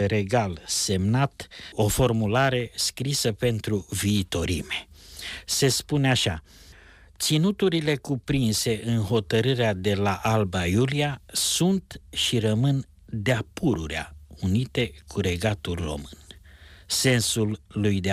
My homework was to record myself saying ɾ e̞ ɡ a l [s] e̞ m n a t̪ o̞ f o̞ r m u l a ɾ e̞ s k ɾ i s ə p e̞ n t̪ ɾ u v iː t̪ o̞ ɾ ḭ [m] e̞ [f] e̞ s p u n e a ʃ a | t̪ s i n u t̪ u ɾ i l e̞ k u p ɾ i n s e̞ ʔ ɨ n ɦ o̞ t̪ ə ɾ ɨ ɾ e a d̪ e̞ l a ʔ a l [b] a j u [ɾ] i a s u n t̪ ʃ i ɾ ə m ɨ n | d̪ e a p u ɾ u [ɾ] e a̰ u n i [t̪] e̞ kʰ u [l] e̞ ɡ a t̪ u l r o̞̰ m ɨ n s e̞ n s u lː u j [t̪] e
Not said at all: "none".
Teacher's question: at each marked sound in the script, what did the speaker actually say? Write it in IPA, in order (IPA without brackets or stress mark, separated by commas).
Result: s, m, s, b, l, ɾ, t̪, ɾ, d̪